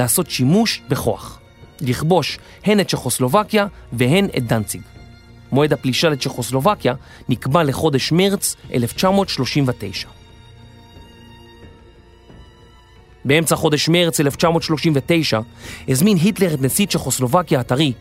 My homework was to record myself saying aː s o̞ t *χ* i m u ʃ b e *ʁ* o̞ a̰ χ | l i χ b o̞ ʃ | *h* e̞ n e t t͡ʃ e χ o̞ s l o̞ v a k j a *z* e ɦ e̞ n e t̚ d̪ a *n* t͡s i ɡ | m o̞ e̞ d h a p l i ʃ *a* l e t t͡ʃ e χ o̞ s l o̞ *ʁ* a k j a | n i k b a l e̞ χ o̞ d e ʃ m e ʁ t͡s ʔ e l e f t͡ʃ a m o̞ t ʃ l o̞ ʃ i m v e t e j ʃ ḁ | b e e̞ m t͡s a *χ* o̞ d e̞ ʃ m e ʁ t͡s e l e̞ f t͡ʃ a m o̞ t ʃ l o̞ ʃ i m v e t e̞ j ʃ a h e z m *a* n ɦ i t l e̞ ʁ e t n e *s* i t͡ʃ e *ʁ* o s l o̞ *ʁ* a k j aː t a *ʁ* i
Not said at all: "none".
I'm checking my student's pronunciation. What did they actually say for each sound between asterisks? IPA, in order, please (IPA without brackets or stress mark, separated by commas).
ʃ, χ, h, v, n, a, v, χ, i, s, χ, v, ʁ